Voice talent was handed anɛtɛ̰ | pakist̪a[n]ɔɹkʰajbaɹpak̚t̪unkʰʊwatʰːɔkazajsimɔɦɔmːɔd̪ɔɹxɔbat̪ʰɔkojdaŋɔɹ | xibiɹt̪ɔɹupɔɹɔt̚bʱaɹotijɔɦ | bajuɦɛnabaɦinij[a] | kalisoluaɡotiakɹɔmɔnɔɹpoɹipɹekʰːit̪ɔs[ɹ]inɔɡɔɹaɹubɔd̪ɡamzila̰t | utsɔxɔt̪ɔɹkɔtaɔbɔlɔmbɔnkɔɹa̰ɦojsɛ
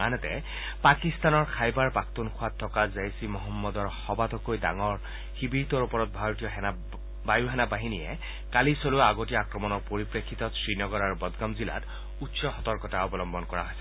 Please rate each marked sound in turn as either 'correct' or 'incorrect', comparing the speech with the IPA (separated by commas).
correct, incorrect, correct